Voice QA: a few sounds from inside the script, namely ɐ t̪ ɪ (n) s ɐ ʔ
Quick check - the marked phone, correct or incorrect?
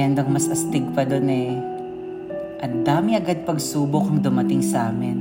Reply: incorrect